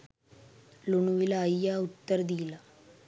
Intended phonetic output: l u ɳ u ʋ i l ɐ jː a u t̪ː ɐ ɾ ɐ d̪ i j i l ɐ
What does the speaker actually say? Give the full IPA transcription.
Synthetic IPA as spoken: l u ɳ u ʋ i l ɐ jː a u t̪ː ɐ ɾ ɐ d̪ i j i l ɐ